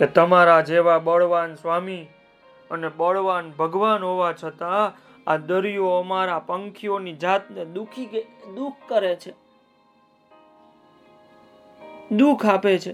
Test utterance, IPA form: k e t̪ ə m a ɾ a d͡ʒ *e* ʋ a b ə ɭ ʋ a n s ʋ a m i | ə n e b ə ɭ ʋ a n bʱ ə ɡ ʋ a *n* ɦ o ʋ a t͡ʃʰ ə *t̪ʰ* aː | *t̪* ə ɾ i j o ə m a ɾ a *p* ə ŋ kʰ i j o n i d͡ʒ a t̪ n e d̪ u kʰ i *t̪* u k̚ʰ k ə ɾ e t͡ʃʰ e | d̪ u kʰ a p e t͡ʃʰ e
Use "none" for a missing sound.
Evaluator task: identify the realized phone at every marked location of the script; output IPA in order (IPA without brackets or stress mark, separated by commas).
e, n, t̪, d̪, p, d̪